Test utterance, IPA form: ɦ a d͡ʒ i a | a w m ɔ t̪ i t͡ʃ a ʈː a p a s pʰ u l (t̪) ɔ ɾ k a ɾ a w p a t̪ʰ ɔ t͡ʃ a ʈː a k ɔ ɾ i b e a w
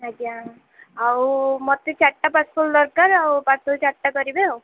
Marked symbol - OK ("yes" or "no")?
no